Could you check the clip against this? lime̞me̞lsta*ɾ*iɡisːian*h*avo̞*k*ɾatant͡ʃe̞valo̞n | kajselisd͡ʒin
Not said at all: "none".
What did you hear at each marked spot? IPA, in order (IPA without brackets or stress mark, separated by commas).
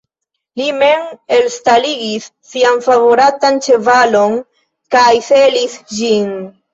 l, f, none